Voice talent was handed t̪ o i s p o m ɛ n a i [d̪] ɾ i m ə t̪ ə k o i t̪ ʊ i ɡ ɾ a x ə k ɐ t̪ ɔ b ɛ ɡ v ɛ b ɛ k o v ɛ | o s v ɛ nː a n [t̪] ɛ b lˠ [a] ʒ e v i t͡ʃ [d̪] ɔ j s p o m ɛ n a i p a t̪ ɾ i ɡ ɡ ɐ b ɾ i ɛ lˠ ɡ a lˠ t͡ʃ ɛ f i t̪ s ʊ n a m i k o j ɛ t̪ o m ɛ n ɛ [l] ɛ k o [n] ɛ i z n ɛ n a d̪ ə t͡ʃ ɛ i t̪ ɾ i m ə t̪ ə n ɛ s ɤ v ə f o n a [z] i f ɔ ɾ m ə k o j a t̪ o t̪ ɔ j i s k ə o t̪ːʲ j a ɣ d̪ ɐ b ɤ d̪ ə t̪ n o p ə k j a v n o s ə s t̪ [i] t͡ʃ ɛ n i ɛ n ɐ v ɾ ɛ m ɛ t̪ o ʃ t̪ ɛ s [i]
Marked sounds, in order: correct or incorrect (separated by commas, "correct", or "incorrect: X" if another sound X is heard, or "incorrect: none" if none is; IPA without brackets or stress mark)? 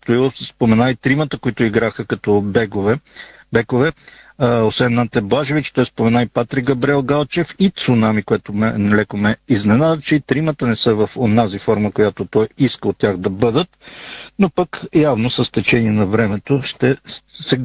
incorrect: t̪, correct, correct, incorrect: t̪, correct, incorrect: m, correct, incorrect: ɛ, incorrect: ɛ